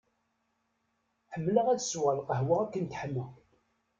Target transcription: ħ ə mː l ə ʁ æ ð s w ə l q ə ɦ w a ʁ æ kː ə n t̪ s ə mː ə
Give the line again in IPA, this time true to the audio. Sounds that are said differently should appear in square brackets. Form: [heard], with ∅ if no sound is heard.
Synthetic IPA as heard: ħ ə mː l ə ʁ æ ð s w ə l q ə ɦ w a ʁ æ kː ə n t̪ [ħ] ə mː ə